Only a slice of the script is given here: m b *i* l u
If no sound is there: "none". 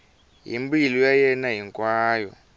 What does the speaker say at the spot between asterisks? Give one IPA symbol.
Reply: i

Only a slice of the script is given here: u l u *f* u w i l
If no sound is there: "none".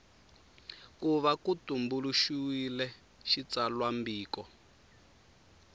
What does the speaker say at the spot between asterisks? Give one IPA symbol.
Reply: ʃ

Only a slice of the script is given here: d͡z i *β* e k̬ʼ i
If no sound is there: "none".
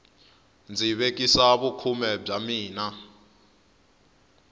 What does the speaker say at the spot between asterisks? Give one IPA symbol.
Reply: β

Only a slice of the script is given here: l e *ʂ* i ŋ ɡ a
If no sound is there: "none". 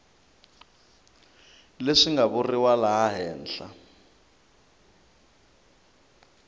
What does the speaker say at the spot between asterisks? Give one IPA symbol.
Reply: ʂ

